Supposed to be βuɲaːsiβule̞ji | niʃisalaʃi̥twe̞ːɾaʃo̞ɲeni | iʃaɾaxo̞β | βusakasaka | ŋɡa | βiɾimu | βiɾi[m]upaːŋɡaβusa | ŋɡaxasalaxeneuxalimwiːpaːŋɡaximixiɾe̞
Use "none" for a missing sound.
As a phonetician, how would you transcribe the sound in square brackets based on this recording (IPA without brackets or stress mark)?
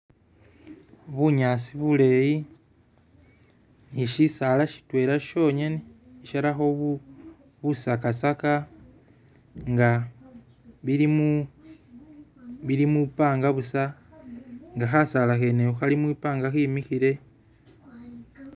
m